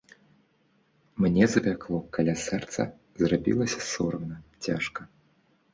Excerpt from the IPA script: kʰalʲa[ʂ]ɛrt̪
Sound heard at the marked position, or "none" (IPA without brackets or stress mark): s